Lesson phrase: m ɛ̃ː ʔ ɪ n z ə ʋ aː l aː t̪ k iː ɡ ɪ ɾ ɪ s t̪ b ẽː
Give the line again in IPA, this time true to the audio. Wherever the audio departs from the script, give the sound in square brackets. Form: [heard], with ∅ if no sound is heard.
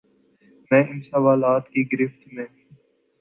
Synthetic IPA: m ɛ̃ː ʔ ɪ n [s] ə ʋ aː l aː t̪ k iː ɡ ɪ ɾ ɪ [f] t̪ [m] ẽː